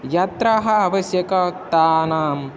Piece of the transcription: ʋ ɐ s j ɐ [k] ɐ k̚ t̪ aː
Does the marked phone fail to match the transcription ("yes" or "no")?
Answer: no